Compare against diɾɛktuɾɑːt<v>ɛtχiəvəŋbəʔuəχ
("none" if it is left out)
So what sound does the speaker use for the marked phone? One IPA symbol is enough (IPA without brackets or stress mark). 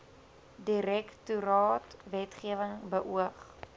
v